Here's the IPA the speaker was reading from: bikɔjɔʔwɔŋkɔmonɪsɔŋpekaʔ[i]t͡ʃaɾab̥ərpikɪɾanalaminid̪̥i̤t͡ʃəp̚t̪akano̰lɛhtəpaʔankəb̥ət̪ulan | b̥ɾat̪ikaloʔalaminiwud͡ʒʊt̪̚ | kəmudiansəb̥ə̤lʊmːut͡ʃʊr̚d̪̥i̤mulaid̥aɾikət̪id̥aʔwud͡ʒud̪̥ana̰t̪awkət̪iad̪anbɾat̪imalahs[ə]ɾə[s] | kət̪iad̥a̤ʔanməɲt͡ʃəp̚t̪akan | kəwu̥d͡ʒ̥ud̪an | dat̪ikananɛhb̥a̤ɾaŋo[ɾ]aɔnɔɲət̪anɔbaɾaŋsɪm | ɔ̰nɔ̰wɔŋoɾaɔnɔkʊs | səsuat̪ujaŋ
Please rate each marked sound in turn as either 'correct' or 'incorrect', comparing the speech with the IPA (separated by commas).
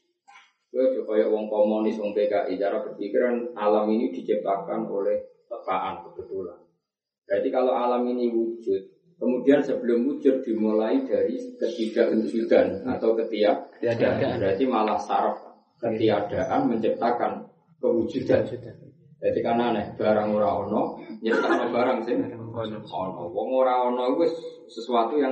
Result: correct, incorrect, incorrect, correct